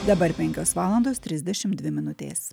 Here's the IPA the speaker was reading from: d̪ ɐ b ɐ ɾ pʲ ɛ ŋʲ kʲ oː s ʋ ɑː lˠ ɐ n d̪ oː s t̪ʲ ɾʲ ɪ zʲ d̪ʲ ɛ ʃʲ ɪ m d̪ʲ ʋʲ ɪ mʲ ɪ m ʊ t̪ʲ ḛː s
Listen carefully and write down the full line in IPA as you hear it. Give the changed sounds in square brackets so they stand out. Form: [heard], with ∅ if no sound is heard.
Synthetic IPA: d̪ ɐ b ɐ ɾ pʲ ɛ ŋʲ kʲ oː s ʋ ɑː lˠ ɐ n d̪ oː s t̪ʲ ɾʲ ɪ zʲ d̪ʲ ɛ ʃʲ ɪ m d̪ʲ ʋʲ ɪ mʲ ɪ [n] ʊ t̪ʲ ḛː s